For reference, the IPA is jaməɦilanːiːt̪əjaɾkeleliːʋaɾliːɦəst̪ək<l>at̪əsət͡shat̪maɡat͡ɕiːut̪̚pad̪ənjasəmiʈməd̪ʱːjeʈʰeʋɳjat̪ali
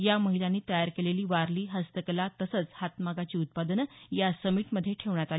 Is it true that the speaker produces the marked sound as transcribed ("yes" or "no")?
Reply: yes